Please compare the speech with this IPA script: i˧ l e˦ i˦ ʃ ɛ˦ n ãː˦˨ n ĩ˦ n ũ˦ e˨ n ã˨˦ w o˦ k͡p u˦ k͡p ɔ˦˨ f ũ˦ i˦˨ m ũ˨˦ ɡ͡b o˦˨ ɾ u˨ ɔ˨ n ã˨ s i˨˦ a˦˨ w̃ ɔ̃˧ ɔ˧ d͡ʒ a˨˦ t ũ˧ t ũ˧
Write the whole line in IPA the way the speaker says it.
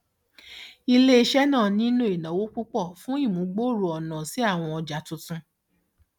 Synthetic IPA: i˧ l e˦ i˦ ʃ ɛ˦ n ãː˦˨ n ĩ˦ n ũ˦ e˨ n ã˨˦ w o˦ k͡p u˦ k͡p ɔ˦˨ f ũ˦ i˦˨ m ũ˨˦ ɡ͡b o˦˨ ɾ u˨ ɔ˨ n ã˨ s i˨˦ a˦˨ w̃ ɔ̃˧ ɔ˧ d͡ʒ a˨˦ t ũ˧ t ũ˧